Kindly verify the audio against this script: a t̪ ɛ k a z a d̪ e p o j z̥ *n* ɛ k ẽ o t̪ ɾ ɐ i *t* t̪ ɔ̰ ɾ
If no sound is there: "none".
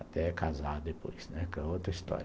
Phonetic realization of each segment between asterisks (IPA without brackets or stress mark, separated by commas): n, s